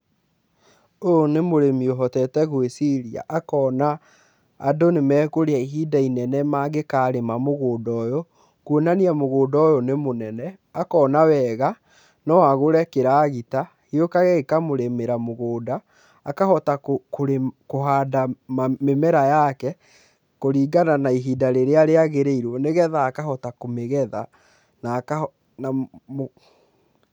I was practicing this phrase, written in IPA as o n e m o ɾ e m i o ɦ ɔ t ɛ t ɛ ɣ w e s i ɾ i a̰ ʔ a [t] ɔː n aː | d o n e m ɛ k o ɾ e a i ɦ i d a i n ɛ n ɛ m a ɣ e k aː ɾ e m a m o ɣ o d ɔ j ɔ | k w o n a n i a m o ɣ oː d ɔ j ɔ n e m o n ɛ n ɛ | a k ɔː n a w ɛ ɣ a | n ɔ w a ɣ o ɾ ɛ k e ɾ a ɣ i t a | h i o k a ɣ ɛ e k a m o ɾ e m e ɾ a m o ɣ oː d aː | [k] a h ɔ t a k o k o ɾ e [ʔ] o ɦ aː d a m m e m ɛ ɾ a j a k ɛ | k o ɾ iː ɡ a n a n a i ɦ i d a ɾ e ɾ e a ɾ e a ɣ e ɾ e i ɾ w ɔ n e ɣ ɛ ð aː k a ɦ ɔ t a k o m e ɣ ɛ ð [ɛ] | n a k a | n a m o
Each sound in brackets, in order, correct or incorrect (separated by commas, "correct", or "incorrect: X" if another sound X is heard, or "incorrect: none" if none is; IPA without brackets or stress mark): incorrect: k, correct, incorrect: k, incorrect: a